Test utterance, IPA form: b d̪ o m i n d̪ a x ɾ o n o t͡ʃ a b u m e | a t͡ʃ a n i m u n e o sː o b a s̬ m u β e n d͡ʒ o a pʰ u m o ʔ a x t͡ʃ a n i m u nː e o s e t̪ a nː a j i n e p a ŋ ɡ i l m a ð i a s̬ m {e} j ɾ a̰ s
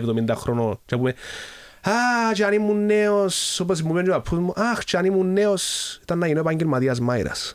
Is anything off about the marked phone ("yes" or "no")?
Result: yes